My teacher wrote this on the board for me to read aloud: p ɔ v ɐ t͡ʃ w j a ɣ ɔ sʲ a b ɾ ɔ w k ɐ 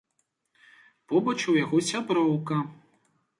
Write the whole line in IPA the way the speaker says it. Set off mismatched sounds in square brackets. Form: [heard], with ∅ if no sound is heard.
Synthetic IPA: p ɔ [b] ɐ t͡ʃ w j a ɣ ɔ sʲ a b ɾ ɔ w k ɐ